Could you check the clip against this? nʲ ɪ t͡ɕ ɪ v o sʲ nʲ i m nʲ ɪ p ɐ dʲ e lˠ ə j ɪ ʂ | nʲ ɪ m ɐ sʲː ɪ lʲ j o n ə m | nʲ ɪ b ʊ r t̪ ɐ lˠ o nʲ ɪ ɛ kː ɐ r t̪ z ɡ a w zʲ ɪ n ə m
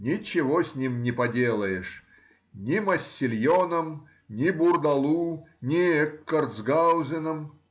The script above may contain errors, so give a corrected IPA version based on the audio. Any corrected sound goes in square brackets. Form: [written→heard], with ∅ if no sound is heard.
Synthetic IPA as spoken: nʲ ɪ t͡ɕ ɪ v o sʲ nʲ i m nʲ ɪ p ɐ dʲ e lˠ ə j ɪ ʂ | nʲ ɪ m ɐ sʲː ɪ lʲ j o n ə m | nʲ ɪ b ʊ r [t̪→d̪] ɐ lˠ [o→u] nʲ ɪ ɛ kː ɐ r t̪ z ɡ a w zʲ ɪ n ə m